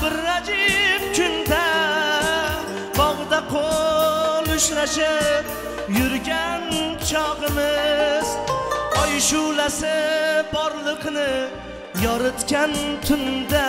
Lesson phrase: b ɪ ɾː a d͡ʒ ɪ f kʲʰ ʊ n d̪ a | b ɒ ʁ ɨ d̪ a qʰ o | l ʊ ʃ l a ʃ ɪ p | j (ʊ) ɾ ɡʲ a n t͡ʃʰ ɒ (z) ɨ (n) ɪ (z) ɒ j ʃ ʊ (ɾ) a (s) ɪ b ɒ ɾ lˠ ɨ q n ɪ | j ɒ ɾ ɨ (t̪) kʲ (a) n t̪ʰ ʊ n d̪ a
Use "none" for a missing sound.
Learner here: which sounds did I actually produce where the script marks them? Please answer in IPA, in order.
ʊ, ʁ, m, z, l, s, t̪, a

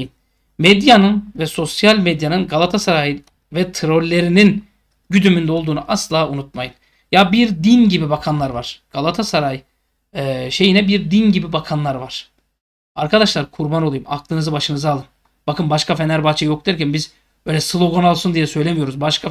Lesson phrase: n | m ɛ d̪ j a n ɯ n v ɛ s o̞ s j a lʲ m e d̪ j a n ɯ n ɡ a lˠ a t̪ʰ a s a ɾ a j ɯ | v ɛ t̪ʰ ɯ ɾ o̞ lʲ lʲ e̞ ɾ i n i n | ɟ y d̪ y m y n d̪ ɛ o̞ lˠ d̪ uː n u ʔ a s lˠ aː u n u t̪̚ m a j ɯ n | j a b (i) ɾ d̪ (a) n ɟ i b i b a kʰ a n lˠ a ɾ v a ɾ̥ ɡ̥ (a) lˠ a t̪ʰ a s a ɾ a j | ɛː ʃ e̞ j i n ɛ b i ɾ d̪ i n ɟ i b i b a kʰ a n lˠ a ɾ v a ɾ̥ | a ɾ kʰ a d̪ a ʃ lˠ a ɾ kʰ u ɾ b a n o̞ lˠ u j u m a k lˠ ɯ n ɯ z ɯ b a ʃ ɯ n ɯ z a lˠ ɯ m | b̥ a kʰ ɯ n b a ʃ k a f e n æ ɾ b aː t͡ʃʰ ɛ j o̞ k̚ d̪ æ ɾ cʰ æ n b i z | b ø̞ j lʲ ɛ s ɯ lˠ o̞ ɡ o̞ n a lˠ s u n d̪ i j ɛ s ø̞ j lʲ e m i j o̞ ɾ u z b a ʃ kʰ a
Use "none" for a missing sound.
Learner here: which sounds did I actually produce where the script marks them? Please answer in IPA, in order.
i, i, a

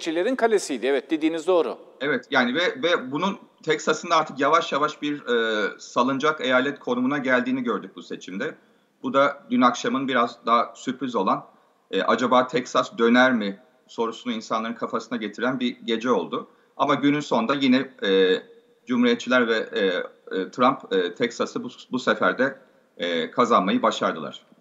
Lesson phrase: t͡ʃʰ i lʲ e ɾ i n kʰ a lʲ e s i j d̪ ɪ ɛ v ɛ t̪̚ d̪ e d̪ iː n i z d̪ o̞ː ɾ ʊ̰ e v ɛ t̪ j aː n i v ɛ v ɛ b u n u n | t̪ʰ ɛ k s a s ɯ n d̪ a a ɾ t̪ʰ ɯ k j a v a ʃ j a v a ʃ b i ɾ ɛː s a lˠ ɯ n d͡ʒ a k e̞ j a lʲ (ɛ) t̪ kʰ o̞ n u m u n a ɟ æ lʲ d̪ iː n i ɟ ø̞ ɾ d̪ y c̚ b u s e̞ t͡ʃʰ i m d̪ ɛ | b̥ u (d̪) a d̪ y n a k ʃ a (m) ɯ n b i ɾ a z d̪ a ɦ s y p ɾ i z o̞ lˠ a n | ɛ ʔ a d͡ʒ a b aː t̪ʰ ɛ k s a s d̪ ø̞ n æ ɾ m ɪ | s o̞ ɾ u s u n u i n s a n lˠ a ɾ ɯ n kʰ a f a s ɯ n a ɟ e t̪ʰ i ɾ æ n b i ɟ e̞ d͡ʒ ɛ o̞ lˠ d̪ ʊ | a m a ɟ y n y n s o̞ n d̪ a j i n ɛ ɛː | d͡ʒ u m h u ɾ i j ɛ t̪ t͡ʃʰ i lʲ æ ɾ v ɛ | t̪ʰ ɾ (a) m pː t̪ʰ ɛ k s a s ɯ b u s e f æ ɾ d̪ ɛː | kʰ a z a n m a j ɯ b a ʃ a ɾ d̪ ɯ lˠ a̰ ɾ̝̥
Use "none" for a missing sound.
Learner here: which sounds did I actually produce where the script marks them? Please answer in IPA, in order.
ɛ, d̪, m, a

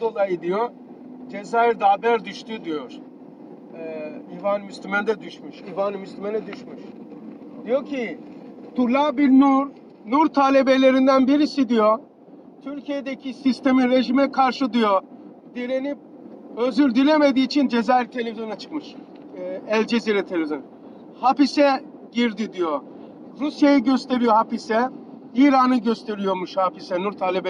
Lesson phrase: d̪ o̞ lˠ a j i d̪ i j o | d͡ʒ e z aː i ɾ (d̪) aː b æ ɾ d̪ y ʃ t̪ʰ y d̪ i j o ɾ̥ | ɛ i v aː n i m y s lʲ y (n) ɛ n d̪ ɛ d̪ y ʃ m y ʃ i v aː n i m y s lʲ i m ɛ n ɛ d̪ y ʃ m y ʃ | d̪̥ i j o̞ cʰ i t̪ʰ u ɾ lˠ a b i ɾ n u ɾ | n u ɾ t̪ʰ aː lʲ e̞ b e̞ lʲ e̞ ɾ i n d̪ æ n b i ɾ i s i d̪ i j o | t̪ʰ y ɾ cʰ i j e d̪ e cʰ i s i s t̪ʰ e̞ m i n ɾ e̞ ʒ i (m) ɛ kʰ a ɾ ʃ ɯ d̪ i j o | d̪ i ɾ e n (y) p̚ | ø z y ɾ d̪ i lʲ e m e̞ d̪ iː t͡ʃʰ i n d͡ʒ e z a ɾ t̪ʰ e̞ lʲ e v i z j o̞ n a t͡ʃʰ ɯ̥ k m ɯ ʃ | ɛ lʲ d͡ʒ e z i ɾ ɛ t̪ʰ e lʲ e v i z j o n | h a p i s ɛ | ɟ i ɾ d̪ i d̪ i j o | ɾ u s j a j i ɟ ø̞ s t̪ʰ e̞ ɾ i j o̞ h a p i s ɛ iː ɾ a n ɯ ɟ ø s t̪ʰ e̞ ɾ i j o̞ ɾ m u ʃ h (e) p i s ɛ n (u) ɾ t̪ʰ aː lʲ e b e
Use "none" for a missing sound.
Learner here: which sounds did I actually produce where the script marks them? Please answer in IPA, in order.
d̪, m, m, i, a, u

